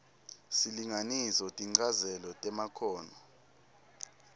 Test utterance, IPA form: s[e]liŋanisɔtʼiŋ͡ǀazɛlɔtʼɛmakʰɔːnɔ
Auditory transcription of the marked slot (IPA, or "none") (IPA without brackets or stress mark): i